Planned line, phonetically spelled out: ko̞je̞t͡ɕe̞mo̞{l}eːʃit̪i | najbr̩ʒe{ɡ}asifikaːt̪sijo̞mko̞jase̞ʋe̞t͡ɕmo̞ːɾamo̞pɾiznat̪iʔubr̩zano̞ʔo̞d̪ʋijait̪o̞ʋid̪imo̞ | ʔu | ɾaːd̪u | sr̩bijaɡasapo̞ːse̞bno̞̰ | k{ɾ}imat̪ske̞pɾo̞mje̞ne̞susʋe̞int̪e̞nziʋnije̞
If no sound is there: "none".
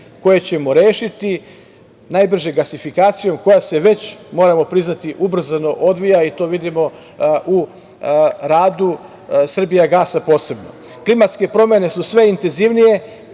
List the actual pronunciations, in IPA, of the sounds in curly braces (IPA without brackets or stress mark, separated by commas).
ɾ, ɡ, l